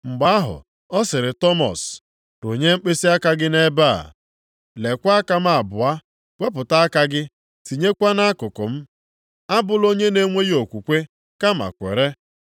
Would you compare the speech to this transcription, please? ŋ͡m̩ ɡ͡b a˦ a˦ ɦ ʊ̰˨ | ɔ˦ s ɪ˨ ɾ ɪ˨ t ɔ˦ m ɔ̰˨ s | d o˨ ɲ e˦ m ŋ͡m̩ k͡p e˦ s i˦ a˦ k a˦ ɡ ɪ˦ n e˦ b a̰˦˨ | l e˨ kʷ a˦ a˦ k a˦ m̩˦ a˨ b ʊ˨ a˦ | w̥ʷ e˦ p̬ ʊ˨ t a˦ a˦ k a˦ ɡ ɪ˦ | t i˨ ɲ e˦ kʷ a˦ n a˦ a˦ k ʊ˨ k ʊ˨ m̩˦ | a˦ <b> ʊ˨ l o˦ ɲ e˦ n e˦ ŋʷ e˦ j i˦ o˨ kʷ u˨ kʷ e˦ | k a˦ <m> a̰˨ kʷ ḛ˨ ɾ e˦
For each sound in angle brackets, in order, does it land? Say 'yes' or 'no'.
yes, yes

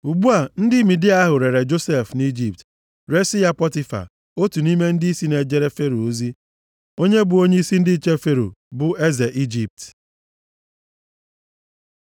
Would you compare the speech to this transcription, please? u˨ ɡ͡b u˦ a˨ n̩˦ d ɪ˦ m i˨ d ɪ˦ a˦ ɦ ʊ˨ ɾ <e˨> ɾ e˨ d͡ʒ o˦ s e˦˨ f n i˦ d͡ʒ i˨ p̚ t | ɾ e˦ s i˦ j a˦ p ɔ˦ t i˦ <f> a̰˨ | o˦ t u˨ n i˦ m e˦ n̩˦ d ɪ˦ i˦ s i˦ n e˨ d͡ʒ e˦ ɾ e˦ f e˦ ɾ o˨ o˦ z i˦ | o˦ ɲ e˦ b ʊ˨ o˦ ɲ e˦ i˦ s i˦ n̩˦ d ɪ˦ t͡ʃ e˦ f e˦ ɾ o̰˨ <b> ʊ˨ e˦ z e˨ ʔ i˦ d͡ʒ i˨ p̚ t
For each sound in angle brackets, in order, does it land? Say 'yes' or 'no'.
yes, yes, yes

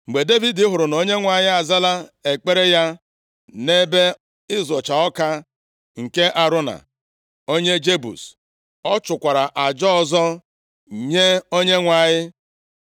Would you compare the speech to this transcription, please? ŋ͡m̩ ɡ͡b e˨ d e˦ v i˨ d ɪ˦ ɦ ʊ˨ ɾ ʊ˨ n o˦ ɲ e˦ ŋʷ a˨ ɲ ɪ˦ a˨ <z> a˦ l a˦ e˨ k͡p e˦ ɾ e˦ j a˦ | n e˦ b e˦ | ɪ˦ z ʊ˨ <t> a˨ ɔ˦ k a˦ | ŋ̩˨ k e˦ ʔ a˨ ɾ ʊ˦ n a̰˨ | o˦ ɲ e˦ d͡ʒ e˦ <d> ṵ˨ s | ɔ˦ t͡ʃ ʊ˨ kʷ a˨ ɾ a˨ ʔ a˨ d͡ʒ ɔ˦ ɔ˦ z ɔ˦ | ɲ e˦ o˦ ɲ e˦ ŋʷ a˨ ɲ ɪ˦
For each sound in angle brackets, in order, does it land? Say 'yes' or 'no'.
yes, no, no

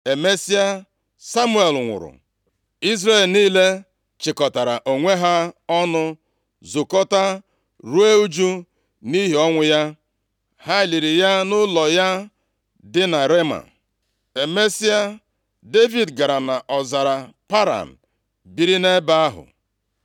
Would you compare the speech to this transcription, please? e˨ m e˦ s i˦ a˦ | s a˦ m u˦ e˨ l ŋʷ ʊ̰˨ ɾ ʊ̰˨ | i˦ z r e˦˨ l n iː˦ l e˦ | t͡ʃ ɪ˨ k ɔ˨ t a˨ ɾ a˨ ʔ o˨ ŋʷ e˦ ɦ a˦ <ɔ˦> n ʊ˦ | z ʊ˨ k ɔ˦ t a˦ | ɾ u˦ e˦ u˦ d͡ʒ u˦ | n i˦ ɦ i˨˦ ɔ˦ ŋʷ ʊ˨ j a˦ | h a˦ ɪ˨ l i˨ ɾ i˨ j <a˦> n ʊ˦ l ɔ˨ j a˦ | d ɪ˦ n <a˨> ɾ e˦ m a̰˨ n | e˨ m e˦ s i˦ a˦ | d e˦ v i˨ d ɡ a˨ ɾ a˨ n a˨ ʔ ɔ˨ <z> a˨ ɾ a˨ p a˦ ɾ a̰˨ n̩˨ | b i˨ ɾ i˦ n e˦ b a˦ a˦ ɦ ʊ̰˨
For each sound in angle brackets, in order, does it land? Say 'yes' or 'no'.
yes, yes, yes, yes

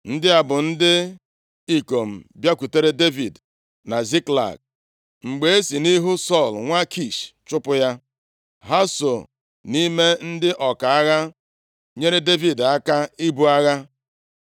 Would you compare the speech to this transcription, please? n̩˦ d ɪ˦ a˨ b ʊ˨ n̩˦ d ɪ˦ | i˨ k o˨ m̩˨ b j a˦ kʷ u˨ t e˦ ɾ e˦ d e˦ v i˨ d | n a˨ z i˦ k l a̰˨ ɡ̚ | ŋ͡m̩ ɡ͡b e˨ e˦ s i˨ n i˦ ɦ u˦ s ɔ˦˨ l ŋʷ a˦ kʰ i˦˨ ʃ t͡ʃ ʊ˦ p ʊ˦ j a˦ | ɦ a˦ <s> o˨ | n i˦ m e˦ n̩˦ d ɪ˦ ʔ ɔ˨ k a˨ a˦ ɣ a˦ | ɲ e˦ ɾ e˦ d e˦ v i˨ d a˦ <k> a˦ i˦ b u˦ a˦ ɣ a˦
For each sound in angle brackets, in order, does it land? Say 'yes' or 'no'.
yes, yes

